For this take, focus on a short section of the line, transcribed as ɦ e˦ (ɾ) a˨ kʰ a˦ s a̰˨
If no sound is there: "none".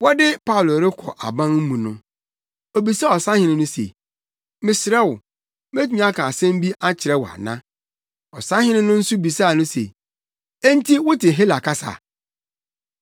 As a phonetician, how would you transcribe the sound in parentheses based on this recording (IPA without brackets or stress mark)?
l